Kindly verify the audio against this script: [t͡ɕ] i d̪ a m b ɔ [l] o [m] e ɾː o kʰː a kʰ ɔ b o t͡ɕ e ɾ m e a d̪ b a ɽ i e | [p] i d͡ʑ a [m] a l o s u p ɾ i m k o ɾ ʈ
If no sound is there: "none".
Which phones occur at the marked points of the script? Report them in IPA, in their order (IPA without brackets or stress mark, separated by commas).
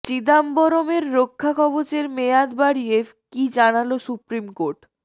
t͡ɕ, ɾ, m, k, n